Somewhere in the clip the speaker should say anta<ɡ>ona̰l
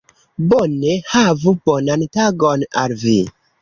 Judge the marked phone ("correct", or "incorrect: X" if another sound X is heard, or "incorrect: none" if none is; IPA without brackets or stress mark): correct